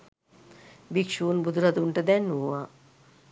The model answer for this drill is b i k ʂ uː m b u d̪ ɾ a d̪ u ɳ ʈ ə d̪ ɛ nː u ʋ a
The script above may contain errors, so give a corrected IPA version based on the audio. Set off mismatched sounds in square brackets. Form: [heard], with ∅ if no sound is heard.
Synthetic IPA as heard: b i k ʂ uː [n] b u d̪ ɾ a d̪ u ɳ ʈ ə d̪ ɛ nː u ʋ a